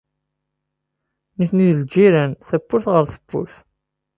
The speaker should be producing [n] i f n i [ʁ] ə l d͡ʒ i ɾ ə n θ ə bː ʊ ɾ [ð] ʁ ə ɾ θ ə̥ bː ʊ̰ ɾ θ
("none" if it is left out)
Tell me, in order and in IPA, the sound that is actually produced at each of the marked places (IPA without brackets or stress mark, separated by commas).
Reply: n, ð, θ